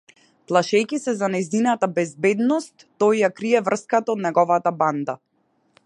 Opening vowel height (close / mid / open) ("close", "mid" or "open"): open